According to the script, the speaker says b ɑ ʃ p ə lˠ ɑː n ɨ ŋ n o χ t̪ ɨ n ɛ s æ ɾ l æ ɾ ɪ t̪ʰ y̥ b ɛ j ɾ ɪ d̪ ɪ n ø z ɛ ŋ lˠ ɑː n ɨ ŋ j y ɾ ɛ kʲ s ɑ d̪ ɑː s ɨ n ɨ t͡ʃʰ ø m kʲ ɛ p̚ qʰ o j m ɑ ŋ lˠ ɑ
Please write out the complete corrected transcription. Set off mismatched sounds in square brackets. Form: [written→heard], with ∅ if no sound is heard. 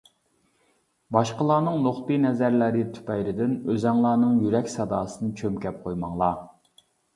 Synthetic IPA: b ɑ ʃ [p→q] ə lˠ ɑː n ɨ ŋ n o χ t̪ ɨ n ɛ [s→z] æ ɾ l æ ɾ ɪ t̪ʰ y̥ [b→p] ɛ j ɾ ɪ d̪ ɪ n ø z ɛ ŋ lˠ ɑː n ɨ ŋ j y ɾ ɛ kʲ s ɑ d̪ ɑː s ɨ n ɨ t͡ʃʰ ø m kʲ ɛ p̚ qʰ o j m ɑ ŋ lˠ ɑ